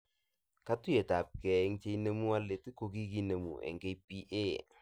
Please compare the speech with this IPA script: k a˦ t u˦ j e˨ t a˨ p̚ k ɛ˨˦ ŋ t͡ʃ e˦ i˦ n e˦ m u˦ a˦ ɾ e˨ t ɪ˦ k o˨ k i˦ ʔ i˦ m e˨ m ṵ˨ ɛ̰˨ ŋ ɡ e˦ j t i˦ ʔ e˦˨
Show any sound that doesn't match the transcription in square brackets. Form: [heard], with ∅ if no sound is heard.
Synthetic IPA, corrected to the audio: k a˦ t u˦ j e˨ t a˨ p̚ k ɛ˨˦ ŋ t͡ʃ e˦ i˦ n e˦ m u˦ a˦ [l] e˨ t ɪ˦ k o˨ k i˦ [k] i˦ [n] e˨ m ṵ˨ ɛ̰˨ ŋ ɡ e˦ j [p] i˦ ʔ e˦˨